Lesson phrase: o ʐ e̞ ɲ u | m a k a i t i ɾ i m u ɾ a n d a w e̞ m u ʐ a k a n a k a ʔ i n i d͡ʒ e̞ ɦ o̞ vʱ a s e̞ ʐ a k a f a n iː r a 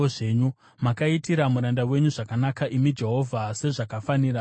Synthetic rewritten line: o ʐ e̞ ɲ u | m a k a i t i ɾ a m u ɾ a n d a w e̞ ɲ u ʐ a k a n a k a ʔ i m i d͡ʒ e̞ ɦ o̞ vʱ a s e̞ ʐ a k a f a n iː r a